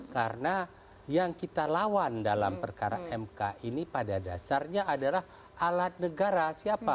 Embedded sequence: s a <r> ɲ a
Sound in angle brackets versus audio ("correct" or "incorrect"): correct